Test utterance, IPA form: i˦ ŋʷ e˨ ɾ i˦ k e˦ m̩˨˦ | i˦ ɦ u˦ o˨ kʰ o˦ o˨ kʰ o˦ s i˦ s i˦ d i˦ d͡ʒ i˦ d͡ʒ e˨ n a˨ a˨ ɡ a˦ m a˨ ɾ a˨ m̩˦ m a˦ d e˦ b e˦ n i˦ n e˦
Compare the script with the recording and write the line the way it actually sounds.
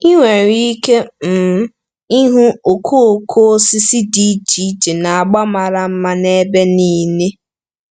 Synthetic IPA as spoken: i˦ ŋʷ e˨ ɾ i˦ k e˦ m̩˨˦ | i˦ ɦ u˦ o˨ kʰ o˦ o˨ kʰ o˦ s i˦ s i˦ d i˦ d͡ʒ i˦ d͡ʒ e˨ n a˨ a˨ ɡ͡b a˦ m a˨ ɾ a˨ m̩˦ m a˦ n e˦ b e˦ n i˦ n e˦

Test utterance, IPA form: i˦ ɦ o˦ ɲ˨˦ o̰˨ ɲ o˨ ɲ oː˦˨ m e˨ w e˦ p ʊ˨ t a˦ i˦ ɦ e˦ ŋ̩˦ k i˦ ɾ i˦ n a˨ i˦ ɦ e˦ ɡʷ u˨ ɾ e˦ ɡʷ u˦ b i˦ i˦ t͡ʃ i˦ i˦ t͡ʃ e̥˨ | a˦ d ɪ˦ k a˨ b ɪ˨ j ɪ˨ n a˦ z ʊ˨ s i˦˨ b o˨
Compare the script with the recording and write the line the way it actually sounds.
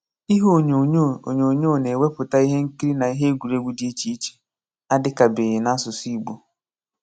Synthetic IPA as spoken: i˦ ɦ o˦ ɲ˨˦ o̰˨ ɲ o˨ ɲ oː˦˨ n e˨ w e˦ p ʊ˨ t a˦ i˦ ɦ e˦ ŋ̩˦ k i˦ ɾ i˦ n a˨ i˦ ɦ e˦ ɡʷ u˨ ɾ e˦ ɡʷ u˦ d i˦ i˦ t͡ʃ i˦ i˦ t͡ʃ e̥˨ | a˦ d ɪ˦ k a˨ b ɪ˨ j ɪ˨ n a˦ s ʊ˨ s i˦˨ ɡ͡b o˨

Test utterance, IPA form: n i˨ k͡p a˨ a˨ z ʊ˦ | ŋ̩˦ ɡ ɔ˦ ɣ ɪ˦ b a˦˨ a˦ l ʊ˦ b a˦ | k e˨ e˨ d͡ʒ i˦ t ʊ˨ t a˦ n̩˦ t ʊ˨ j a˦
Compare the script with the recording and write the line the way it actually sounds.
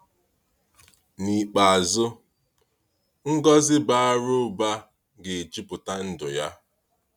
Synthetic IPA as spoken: n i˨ k͡p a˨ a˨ z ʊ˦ | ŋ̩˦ ɡ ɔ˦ z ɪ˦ b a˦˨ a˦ ɾ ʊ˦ b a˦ | ɡ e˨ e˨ d͡ʒ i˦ p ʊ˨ t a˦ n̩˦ d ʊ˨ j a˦

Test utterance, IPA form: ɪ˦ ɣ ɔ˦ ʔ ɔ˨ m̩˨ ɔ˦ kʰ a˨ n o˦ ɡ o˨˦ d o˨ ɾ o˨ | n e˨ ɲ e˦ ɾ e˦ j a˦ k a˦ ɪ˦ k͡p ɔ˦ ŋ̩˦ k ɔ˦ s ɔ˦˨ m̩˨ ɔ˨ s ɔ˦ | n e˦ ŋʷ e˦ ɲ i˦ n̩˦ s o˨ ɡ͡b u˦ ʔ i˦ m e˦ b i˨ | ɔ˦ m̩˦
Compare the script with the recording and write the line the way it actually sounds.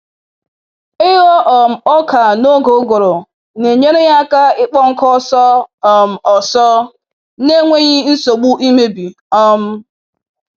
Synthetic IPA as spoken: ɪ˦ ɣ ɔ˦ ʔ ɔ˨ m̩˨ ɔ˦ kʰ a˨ n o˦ ɡ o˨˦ ɡ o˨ ɾ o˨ | n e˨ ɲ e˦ ɾ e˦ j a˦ k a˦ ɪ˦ k͡p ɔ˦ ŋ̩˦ k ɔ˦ s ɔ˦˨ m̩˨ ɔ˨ s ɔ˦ | n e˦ ŋʷ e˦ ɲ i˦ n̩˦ s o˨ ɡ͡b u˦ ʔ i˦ m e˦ b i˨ | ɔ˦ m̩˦

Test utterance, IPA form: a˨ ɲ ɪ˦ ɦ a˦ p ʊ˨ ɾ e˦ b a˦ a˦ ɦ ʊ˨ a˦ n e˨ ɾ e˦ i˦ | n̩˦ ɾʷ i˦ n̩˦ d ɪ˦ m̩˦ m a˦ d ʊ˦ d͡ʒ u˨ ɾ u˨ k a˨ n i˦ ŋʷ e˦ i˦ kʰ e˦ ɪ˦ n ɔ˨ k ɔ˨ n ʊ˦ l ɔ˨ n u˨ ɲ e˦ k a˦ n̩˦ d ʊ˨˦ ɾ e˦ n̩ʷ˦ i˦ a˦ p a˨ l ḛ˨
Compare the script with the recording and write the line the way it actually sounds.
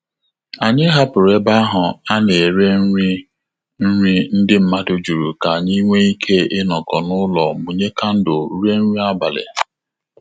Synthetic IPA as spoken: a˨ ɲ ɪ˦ ɦ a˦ p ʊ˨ ɾ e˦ b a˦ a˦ ɦ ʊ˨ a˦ n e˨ ɾ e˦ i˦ | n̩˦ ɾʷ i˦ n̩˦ d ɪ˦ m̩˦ m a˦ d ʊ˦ d͡ʒ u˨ ɾ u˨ k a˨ ɲ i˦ ŋʷ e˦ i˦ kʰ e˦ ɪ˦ n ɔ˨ k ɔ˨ n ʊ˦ l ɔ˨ m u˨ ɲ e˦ k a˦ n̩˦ d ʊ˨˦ ɾ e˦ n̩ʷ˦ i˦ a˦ b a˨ l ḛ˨

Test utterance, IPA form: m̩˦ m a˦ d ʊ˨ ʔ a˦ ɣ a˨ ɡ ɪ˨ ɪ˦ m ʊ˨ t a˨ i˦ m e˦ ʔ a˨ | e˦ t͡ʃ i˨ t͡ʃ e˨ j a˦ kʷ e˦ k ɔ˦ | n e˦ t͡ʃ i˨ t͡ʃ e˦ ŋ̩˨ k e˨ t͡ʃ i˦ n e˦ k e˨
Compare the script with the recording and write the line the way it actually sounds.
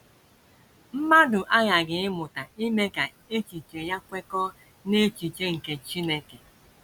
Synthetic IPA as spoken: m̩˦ m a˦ d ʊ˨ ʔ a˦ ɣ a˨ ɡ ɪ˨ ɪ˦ m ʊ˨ t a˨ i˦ m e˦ k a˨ | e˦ t͡ʃ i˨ t͡ʃ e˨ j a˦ kʷ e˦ k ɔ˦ | n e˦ t͡ʃ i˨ t͡ʃ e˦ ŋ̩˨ k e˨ t͡ʃ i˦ n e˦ k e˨

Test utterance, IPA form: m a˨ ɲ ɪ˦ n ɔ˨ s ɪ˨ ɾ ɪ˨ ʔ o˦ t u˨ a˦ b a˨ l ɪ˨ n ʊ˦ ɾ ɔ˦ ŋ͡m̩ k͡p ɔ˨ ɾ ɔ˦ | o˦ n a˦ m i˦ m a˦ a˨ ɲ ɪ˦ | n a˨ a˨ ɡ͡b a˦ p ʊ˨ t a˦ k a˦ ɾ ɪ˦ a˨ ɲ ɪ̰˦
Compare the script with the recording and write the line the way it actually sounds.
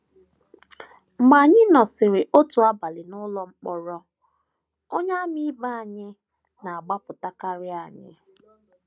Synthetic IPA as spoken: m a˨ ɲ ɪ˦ n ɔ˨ s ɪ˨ ɾ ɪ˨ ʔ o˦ t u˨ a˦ b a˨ l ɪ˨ n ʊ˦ l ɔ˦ ŋ͡m̩ k͡p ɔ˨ ɾ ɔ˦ | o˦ ɲ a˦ m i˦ b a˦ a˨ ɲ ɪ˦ | n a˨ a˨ ɡ͡b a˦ p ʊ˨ t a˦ k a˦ ɾ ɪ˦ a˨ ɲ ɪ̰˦

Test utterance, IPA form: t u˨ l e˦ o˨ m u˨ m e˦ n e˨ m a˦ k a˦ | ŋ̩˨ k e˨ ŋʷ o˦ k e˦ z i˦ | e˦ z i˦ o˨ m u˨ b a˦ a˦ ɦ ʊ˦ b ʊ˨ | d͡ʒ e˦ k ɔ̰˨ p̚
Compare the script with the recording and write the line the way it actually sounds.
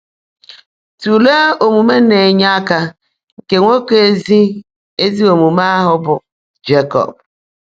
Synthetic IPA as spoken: t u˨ l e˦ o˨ m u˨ m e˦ n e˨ ɲ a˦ k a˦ | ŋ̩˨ k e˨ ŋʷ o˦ k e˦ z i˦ | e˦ z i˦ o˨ m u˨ m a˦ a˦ ɦ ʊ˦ b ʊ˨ | d͡ʒ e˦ k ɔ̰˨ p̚

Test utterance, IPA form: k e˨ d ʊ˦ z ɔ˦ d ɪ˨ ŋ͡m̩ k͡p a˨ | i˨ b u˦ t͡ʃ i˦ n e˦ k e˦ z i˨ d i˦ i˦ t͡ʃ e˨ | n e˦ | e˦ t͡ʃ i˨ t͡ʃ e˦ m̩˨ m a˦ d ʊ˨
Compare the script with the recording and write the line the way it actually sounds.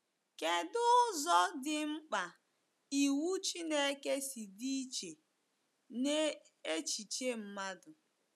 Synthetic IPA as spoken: k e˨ d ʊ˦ z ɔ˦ d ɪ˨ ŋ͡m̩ k͡p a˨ | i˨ w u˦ t͡ʃ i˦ n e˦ k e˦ s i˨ d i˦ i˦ t͡ʃ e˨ | n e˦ | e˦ t͡ʃ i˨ t͡ʃ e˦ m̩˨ m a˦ d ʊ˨

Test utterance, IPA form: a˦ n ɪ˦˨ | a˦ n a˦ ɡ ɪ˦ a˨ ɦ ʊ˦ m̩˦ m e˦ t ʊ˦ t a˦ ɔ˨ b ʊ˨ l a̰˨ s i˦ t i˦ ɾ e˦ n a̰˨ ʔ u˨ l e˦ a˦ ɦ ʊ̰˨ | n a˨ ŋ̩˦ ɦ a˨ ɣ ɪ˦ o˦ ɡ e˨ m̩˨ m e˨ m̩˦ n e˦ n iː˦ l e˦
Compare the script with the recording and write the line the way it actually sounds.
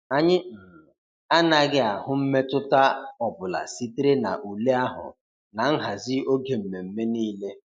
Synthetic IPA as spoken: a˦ ɲ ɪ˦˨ | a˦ n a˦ ɡ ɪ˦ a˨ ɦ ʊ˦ m̩˦ m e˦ t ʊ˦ t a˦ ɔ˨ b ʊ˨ l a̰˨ s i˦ t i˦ ɾ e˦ n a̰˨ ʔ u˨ l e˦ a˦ ɦ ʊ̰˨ | n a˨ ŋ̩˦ ɦ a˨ z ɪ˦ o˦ ɡ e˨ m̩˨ m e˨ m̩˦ m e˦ n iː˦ l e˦

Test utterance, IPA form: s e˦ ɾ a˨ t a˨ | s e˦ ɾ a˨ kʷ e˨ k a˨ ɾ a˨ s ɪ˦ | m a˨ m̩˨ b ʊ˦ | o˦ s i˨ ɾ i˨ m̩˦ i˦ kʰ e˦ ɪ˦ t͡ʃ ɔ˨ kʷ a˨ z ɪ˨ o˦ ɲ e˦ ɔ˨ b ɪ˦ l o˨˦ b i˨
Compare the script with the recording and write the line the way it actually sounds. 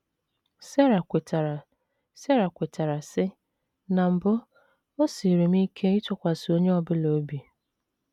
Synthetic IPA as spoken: s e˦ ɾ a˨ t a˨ | s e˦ ɾ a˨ kʷ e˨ t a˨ ɾ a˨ s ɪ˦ | n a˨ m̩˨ b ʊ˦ | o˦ s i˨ ɾ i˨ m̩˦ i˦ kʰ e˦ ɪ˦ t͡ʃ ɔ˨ kʷ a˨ s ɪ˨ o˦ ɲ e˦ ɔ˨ b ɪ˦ l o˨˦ b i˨

